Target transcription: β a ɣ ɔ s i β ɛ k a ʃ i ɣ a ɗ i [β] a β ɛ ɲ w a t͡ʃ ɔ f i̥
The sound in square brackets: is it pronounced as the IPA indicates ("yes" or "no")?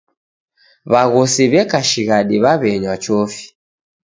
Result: yes